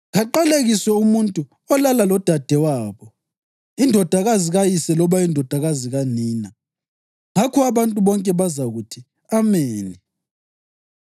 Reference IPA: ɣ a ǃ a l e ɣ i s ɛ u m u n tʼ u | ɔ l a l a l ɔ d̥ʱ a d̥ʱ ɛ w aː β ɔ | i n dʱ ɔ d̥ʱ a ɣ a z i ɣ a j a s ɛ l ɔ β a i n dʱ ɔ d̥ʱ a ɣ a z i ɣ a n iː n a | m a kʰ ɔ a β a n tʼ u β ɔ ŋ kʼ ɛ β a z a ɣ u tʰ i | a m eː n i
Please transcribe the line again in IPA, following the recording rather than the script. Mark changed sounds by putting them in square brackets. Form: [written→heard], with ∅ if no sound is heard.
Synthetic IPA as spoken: ɣ a ǃ a l e ɣ i s ɛ u m u n tʼ u | ɔ l a l a l ɔ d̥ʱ a d̥ʱ ɛ w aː β ɔ | i n dʱ ɔ d̥ʱ a ɣ a z i ɣ a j [a→i] s ɛ l ɔ β a i n dʱ ɔ d̥ʱ a ɣ a z i ɣ a n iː n a | [m→ŋ] a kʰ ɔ a β a n tʼ u β ɔ ŋ kʼ ɛ β a z a ɣ u tʰ i | a m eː n i